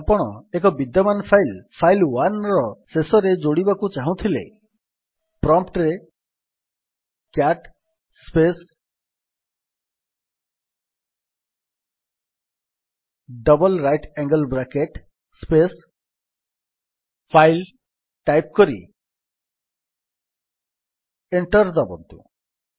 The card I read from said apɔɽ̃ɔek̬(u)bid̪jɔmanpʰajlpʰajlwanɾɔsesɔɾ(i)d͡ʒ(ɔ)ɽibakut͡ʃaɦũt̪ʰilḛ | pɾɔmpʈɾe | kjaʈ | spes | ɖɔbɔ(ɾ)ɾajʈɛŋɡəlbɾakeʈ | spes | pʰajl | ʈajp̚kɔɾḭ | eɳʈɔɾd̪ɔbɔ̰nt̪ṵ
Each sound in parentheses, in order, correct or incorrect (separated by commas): incorrect, incorrect, incorrect, incorrect